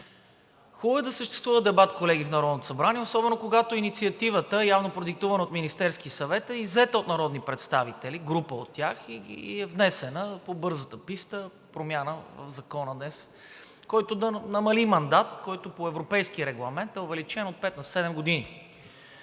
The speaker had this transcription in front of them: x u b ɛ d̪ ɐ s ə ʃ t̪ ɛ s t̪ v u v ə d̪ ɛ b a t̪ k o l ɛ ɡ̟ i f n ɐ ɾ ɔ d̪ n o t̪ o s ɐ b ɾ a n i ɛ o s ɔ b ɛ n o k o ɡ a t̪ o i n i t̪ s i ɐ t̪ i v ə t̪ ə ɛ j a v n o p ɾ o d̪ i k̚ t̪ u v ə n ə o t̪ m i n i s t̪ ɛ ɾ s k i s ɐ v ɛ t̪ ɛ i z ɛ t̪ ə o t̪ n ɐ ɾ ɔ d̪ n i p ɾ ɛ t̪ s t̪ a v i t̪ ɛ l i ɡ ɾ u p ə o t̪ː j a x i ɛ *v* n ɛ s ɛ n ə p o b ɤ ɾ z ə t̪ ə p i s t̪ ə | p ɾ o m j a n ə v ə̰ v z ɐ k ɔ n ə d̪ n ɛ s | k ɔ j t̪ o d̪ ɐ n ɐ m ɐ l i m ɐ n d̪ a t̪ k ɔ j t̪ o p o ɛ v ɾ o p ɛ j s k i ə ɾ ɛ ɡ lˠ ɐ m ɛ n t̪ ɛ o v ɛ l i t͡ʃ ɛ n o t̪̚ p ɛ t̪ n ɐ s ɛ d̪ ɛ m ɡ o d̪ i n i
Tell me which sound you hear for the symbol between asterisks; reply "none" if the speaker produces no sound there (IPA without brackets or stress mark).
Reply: v